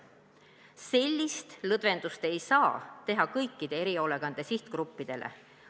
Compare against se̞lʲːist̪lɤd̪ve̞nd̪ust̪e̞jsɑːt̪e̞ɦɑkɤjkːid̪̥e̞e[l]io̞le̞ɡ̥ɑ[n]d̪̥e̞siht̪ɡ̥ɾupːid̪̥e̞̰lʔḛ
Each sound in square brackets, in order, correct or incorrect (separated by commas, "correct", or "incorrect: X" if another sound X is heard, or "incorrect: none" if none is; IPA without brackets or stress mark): incorrect: ɾ, correct